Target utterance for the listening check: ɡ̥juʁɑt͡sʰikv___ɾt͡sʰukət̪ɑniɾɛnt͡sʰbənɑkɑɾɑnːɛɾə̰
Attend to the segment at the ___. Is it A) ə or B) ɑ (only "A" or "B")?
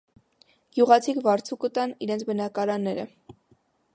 B